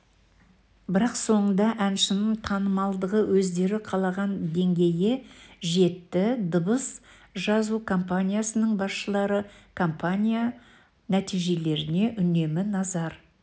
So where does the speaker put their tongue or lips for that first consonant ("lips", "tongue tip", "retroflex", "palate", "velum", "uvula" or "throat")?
lips